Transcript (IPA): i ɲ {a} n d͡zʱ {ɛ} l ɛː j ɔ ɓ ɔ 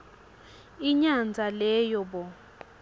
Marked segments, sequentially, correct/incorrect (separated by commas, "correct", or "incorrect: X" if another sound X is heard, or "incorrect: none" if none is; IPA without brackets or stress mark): correct, incorrect: a